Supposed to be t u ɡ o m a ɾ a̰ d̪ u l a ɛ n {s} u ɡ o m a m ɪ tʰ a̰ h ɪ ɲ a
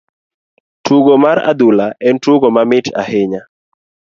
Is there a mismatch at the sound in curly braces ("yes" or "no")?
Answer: yes